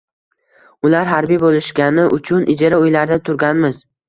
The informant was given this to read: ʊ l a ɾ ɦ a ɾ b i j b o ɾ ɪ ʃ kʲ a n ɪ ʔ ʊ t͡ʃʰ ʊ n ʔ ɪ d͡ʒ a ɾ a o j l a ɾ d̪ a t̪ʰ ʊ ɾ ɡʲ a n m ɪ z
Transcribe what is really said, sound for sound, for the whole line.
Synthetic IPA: ʊ l a ɾ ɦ a ɾ b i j b o l ɪ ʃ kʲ a n ɪ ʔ ʊ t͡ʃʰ ʊ n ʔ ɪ d͡ʒ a ɾ a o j l a ɾ d̪ a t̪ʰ ʊ ɾ ɡʲ a n m ɪ z